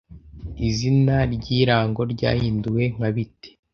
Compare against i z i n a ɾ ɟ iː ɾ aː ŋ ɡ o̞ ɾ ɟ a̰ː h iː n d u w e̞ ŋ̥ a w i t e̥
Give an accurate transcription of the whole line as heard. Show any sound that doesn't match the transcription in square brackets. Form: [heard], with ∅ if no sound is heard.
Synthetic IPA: i z i n a ɾ ɟ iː ɾ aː ŋ ɡ o̞ ɾ ɟ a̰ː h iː n d u w e̞ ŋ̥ a [β] i t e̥